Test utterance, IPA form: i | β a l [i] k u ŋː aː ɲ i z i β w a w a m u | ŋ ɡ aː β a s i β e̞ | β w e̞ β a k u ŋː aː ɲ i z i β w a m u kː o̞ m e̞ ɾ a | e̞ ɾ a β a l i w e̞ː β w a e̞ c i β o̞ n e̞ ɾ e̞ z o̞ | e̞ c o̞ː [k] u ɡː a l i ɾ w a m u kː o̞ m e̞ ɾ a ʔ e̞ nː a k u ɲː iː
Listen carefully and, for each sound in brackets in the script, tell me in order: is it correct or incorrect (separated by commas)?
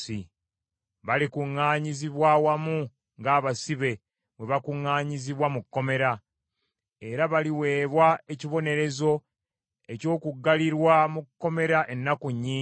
correct, correct